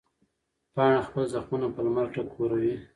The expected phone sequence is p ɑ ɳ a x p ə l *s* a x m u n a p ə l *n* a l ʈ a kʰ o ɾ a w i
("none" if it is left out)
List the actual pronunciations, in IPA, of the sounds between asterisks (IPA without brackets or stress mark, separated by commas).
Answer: z, m